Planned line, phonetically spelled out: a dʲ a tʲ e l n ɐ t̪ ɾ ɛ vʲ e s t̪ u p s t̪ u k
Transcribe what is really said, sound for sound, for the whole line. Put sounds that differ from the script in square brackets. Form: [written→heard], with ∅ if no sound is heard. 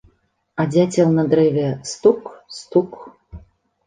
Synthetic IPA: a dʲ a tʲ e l n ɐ [t̪→d̪] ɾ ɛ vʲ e s t̪ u [p→k] s t̪ u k